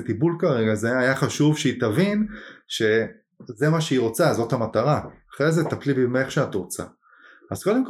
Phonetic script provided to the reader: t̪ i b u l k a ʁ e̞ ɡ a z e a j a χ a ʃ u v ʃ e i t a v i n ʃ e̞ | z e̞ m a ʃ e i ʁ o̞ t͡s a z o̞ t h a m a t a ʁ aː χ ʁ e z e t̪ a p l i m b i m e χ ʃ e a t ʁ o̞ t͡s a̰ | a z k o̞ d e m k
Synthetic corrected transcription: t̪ i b u l k a ʁ e̞ ɡ a z e a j a χ a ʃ u v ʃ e i t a v i n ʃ e̞ | z e̞ m a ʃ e i ʁ o̞ t͡s a z o̞ t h a m a t a ʁ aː χ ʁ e z e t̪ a p l i b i m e χ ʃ e a t ʁ o̞ t͡s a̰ | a z k o̞ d e m k